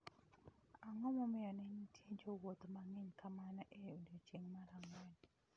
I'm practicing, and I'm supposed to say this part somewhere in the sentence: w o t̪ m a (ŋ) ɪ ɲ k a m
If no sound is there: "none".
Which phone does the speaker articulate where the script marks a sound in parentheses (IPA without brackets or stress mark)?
ŋ